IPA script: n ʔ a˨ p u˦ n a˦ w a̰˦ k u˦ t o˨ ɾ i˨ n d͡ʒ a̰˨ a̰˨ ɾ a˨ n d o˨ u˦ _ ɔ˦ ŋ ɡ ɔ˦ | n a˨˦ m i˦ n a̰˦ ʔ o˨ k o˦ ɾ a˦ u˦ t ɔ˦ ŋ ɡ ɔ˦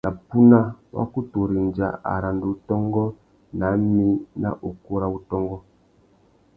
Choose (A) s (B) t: B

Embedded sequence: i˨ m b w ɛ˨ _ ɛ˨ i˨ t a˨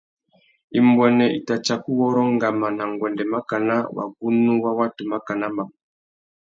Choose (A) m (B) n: B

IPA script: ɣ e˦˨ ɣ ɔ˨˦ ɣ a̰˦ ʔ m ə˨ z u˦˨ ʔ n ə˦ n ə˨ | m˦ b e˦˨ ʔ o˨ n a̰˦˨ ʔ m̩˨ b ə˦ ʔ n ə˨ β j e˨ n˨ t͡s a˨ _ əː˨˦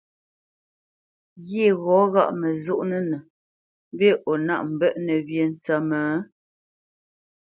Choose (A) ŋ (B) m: B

